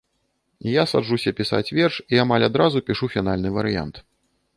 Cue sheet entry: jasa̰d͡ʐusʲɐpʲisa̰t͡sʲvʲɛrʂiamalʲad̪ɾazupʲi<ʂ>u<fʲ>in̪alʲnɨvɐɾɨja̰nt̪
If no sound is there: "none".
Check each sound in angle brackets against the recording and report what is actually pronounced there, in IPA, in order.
ʂ, fʲ

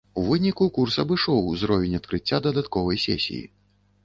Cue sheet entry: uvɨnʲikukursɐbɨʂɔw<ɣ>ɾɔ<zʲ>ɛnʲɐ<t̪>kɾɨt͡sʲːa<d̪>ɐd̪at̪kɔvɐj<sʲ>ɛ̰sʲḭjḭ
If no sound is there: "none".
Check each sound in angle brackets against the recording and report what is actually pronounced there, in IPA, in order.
z, vʲ, t̪, d̪, sʲ

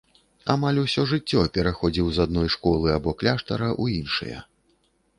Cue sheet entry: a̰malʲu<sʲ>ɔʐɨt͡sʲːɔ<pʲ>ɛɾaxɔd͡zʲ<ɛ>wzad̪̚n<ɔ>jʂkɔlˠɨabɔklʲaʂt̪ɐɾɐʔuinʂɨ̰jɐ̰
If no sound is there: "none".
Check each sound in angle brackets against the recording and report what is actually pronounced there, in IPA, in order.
sʲ, pʲ, i, ɔ

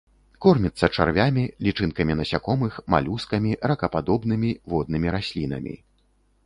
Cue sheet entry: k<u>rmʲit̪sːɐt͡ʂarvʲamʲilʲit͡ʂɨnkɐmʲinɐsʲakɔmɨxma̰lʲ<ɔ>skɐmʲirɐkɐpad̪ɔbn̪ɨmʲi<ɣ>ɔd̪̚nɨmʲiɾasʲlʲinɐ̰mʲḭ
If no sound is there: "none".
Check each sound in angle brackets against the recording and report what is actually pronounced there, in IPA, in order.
ɔ, u, v

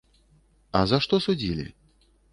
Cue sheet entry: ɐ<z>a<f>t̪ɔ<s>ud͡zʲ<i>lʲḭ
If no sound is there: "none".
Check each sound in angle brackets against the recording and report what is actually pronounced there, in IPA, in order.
z, ʂ, s, i

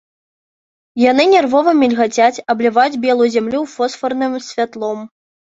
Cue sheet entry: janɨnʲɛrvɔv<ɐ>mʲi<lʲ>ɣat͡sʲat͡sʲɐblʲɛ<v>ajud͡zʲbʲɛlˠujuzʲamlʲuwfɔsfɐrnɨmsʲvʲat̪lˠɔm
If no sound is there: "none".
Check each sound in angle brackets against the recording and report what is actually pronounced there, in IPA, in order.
ɐ, lʲ, v

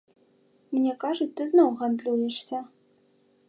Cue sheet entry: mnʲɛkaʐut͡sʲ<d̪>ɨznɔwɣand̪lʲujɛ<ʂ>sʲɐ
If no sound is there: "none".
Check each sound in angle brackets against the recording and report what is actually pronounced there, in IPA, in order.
t̪, ʂ

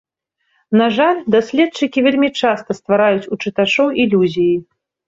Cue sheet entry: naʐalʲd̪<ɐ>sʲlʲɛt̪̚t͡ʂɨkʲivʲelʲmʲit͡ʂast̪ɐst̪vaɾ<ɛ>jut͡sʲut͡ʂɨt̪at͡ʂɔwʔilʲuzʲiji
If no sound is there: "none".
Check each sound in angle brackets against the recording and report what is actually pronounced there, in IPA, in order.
a, a

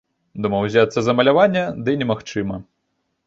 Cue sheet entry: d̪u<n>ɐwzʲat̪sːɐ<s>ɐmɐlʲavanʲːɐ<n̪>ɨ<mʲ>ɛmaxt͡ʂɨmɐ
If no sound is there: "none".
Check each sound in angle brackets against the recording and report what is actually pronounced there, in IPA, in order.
m, z, d̪, nʲ

